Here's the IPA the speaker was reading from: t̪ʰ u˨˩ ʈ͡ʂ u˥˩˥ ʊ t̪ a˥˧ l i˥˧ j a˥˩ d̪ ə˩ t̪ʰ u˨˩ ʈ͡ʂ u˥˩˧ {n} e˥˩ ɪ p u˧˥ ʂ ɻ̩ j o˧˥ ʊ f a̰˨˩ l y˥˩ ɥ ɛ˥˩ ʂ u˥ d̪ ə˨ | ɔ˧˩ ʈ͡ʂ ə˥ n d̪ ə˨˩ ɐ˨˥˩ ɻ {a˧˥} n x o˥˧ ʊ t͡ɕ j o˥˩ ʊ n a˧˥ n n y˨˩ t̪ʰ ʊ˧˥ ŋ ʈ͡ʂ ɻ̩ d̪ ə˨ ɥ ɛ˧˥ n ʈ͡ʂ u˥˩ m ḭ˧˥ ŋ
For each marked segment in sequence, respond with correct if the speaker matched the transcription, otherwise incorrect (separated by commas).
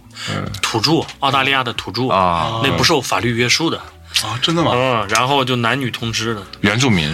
correct, correct